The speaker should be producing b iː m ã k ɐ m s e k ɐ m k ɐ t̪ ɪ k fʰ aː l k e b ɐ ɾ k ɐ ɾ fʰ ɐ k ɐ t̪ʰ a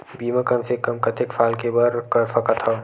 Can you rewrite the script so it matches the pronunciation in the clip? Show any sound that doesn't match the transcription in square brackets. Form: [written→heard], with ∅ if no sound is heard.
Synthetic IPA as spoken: b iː m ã k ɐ m s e k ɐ m k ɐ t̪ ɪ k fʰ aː l k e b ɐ ɾ k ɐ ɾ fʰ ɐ k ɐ t̪ʰ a